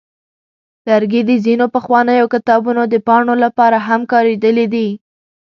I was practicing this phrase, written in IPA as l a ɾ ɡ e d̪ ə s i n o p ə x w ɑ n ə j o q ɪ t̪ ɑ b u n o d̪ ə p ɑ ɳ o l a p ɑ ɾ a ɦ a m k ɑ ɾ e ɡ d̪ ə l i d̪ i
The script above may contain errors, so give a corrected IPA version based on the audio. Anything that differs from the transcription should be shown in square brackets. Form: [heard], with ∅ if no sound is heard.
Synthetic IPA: l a ɾ ɡ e d̪ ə [z] i n o p ə x w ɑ n ə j o [k] ɪ t̪ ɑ b u n o d̪ ə p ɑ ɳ o l a p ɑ ɾ a ɦ a m k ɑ ɾ e [∅] d̪ ə l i d̪ i